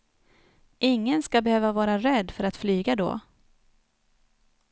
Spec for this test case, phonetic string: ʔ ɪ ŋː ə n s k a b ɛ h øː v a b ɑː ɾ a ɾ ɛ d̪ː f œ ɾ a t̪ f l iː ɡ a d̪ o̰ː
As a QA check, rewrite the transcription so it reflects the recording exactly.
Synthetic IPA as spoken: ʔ ɪ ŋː ə n s k a b ɛ h øː v a v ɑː ɾ a ɾ ɛ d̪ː f œ ɾ a t̪ f l yː ɡ a d̪ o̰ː